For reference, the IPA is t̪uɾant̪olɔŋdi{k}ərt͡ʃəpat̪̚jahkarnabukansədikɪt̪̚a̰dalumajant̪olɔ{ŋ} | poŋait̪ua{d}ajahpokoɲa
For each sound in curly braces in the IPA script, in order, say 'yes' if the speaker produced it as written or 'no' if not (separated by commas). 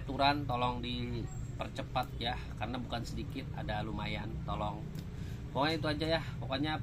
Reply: no, yes, no